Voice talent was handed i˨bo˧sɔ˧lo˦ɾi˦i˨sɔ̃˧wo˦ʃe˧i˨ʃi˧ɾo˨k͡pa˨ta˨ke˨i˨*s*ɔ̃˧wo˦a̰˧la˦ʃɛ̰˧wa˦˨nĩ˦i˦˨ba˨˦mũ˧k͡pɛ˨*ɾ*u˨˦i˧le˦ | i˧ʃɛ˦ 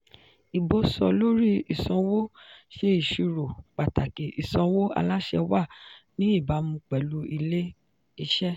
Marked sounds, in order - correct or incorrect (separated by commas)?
correct, incorrect